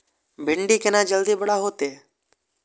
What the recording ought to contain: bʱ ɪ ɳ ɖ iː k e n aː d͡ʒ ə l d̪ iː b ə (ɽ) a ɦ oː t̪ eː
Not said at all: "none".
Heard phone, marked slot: ɽ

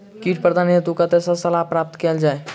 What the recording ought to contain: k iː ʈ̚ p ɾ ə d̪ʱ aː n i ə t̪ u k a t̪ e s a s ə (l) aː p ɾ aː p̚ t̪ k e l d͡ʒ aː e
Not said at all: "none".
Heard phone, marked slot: l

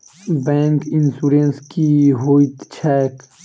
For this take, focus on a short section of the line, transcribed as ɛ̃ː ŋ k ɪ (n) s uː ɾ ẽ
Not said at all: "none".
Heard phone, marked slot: n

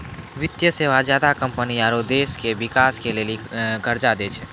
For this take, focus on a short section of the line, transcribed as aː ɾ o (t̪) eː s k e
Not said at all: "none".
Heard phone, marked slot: d̪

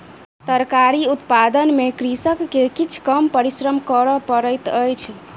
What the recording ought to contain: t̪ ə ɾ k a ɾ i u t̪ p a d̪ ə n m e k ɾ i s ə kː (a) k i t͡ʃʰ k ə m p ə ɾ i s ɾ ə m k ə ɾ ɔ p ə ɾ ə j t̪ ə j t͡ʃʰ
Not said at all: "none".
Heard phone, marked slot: e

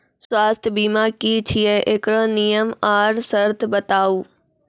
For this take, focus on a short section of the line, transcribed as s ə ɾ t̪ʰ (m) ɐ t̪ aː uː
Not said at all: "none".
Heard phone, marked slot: b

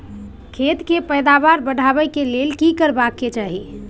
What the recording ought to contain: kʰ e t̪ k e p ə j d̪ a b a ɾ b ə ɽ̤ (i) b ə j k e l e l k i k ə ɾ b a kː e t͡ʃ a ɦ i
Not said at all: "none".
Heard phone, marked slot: a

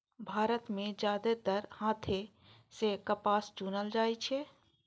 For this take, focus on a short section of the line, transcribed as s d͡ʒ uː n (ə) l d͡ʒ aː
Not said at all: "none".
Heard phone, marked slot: ə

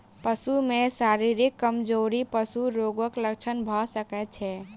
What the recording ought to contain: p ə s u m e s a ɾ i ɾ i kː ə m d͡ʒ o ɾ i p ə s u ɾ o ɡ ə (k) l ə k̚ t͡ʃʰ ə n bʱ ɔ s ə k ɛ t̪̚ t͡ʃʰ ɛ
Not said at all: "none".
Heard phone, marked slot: k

